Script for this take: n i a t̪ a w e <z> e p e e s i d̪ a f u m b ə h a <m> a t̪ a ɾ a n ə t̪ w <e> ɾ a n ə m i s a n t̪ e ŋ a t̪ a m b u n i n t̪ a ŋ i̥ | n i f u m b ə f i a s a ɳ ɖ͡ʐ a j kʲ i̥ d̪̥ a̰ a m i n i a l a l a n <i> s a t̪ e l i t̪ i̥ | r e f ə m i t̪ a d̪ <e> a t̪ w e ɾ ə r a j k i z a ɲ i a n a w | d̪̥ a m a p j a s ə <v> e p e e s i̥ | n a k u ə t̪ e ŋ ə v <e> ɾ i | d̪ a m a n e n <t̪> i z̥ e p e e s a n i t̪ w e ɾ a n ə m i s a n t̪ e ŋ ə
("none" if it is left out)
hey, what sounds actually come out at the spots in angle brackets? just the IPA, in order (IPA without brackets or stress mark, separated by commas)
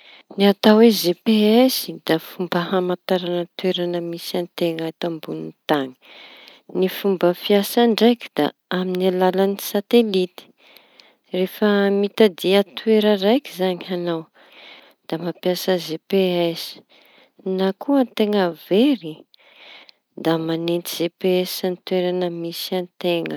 z, m, e, i, i, z, e, t̪